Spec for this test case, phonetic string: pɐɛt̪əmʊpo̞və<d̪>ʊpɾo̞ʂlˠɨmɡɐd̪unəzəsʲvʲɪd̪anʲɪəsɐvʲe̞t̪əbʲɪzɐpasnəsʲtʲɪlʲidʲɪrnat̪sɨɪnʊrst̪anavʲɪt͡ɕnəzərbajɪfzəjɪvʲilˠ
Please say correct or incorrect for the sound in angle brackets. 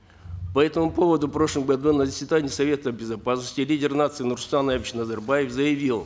correct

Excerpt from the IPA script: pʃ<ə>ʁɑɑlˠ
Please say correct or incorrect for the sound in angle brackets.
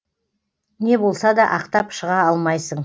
correct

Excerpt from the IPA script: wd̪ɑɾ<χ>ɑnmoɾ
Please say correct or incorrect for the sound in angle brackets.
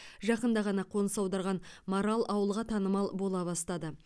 incorrect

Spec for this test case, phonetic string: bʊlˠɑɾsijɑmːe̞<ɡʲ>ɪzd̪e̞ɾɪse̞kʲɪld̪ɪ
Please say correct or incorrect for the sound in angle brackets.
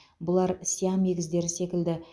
correct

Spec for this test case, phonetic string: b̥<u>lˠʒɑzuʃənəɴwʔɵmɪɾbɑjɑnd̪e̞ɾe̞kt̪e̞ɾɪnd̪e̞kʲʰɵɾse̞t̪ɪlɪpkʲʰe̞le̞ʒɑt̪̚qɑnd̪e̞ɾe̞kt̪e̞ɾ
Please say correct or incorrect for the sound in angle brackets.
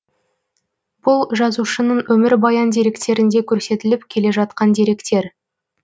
incorrect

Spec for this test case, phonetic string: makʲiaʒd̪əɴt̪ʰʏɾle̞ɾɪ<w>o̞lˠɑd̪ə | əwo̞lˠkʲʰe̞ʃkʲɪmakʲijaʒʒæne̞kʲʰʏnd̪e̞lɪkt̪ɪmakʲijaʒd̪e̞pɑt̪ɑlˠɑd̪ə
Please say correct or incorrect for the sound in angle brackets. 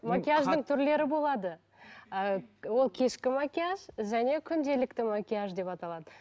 incorrect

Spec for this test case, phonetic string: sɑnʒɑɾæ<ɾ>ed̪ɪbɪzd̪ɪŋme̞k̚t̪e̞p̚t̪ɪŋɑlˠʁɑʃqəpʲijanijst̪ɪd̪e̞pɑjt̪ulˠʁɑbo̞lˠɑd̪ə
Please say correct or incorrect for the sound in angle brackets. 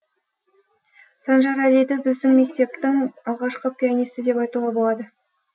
incorrect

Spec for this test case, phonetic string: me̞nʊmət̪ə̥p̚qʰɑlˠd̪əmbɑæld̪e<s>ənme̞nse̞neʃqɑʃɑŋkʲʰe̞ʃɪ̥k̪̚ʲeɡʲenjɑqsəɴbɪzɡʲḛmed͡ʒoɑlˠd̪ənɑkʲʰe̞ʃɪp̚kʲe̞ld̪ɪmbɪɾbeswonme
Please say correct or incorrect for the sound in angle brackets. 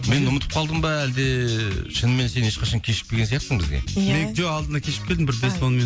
incorrect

